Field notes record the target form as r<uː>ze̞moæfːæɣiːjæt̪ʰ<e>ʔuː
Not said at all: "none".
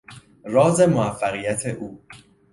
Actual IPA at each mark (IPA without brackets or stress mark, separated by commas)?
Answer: ɒː, e